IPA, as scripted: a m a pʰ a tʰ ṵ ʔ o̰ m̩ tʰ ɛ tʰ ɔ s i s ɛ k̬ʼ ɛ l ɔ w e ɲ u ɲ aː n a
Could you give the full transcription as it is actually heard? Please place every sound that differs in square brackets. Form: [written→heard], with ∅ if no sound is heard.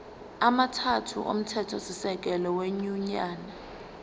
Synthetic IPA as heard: a m a [pʰ→tʰ] a tʰ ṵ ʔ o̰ m̩ tʰ ɛ tʰ ɔ s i s ɛ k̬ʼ ɛ l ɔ w e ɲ u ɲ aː n a